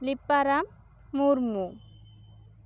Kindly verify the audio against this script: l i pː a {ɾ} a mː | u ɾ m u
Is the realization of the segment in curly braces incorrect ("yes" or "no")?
no